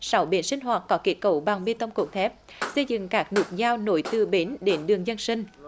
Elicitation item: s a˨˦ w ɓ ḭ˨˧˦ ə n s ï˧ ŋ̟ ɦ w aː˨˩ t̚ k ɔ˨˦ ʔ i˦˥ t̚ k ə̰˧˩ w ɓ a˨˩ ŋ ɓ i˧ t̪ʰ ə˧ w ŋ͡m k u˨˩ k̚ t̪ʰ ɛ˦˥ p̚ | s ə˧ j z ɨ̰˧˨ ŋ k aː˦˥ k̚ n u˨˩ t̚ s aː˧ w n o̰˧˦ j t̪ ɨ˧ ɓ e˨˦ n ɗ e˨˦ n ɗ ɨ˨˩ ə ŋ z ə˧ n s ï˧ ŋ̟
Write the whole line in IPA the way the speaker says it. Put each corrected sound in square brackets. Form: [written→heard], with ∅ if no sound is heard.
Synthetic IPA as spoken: s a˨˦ w ɓ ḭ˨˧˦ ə n s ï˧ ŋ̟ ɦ w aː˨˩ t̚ k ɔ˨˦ [ʔ→k] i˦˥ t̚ k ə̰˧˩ w ɓ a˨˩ ŋ ɓ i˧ [t̪ʰ→t̪] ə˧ w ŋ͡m k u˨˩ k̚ t̪ʰ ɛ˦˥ p̚ | s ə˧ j z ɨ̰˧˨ ŋ k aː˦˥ k̚ n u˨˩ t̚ [s→z] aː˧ w n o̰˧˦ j t̪ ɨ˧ ɓ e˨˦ n ɗ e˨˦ n ɗ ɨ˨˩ ə ŋ z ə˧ n s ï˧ ŋ̟